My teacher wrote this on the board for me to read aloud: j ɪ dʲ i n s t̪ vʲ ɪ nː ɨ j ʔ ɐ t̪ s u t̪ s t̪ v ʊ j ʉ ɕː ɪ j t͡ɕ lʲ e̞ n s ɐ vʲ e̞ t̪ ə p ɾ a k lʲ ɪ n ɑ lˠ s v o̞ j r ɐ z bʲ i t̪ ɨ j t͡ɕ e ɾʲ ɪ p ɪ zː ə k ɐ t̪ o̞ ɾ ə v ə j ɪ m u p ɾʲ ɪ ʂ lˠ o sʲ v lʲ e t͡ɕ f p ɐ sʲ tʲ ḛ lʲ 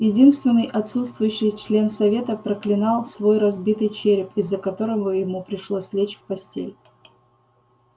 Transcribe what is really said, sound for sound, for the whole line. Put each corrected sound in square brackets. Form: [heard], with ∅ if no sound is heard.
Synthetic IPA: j ɪ dʲ i n s t̪ vʲ ɪ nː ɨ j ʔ ɐ t̪ s u t̪ s t̪ v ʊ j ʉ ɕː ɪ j t͡ɕ lʲ e̞ n s ɐ vʲ e̞ t̪ ə p ɾ [ə] k lʲ ɪ n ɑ lˠ s v o̞ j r ɐ z bʲ i t̪ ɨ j t͡ɕ e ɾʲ ɪ p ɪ zː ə k ɐ t̪ o̞ ɾ ə v ə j ɪ m u p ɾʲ ɪ ʂ lˠ o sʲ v lʲ e t͡ɕ f p ɐ sʲ tʲ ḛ lʲ